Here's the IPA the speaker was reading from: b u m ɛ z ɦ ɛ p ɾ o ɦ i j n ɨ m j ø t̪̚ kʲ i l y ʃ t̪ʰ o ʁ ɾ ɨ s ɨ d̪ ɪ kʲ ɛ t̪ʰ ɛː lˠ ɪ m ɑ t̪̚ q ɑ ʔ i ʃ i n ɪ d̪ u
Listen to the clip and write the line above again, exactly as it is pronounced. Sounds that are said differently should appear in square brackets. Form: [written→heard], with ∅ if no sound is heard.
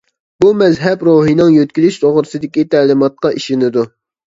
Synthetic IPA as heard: b u m ɛ z ɦ ɛ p ɾ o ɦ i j n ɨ [m→ŋ] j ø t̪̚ kʲ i l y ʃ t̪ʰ o ʁ ɾ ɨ s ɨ d̪ ɪ kʲ [ɛ→i] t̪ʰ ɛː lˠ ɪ m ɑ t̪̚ q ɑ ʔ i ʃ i n ɪ d̪ u